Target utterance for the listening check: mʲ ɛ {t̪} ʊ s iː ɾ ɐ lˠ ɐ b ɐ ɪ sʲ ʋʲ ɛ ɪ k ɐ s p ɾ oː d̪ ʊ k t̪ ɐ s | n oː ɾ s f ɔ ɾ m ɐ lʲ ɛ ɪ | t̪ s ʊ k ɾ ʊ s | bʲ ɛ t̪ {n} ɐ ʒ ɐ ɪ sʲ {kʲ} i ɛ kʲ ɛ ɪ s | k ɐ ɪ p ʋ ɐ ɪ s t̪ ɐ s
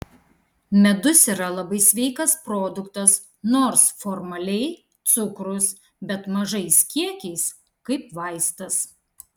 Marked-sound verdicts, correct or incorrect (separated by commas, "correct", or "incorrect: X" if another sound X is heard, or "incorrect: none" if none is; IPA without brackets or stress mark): incorrect: d̪, incorrect: m, correct